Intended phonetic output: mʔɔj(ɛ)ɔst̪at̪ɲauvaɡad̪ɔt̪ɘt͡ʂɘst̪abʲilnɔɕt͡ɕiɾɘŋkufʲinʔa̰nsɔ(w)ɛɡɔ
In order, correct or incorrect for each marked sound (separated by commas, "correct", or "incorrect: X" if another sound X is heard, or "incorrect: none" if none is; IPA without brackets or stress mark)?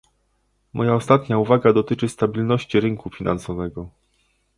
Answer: incorrect: a, incorrect: v